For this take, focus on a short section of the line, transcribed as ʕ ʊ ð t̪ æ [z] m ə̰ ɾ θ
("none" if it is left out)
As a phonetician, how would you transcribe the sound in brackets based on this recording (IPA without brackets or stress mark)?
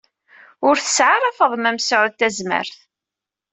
z